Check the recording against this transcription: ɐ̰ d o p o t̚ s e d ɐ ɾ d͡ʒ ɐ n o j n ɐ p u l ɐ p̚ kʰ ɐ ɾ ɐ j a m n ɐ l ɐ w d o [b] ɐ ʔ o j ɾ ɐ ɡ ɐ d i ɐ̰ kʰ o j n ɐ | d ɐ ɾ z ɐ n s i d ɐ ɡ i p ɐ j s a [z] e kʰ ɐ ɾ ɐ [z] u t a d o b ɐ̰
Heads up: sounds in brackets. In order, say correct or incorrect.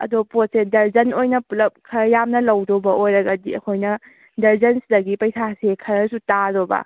correct, incorrect: s, incorrect: s

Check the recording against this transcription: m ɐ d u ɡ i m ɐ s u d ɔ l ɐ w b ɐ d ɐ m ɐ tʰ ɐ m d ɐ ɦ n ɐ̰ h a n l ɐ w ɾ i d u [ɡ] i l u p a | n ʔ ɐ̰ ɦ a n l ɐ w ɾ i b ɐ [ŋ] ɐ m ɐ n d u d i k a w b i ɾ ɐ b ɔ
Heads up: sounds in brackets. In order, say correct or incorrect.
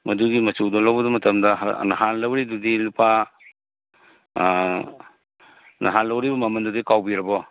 incorrect: d, incorrect: m

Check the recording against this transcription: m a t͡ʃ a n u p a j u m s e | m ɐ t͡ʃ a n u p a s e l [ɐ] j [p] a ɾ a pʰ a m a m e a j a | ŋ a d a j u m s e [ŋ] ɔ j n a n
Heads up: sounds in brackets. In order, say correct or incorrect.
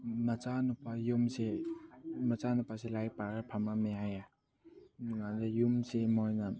incorrect: a, correct, incorrect: m

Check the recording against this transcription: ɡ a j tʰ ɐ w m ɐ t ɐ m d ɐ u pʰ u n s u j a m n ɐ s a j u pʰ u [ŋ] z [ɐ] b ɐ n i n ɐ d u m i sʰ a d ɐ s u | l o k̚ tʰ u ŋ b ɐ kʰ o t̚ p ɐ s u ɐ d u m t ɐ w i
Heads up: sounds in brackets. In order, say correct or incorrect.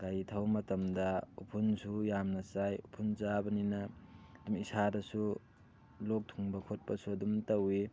incorrect: n, incorrect: a

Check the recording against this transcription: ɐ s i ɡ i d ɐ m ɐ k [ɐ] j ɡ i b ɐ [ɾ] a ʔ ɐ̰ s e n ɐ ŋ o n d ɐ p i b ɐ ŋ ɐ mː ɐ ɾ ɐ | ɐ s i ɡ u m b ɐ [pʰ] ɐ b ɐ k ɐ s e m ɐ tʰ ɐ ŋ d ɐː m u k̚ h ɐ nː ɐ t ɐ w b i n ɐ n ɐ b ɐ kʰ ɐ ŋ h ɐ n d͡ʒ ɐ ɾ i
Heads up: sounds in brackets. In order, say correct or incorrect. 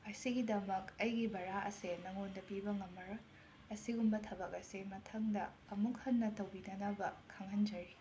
correct, correct, incorrect: tʰ

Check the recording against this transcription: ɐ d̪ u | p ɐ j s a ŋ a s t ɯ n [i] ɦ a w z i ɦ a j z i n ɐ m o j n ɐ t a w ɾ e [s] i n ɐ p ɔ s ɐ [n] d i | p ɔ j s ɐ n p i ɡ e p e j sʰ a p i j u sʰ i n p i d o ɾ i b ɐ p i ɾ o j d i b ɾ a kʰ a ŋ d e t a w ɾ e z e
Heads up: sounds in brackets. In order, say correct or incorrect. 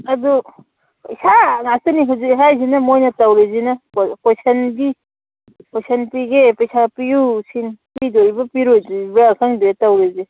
correct, incorrect: z, correct

